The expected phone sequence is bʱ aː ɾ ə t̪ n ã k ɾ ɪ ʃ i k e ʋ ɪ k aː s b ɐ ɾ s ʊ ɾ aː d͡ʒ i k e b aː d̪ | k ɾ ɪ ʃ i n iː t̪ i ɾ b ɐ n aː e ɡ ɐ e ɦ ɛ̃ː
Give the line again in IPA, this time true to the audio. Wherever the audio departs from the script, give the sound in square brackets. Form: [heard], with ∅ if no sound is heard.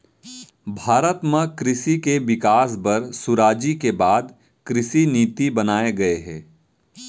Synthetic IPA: bʱ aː ɾ ə t̪ [m] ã k ɾ ɪ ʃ i k e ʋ ɪ k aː s b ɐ ɾ s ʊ ɾ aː d͡ʒ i k e b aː d̪ | k ɾ ɪ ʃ i n iː t̪ i [∅] b ɐ n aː e ɡ ɐ e ɦ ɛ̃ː